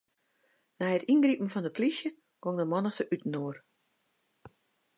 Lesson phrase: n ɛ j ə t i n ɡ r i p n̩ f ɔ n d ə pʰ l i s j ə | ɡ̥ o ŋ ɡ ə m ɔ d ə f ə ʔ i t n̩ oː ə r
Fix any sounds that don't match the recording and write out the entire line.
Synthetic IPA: n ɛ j ə t i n ɡ r i p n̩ f ɔ n d ə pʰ l i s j ə | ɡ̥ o ŋ d ə m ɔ n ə s ə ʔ y t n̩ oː ə r